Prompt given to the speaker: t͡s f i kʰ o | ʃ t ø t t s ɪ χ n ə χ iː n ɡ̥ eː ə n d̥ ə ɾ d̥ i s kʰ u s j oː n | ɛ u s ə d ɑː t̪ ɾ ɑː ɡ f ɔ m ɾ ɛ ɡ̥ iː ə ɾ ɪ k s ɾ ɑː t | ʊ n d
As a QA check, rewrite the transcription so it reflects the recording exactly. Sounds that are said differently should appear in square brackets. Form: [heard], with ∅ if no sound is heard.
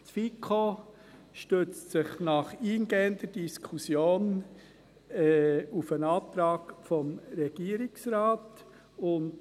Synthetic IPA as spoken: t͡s f i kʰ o | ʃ t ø [t͡s] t s ɪ χ n [ɑ] χ iː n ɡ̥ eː ə n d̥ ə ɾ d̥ i s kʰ u s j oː n | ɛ u [f] ə [n] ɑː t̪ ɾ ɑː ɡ f ɔ m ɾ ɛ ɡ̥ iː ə ɾ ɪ k s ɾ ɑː t | ʊ n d